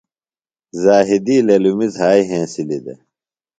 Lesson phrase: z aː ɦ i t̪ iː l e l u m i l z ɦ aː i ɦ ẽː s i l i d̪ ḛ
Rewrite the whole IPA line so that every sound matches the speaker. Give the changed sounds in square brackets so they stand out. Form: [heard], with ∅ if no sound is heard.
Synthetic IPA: z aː ɦ i [d̪] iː l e l u m i [∅] z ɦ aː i ɦ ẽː s i l i d̪ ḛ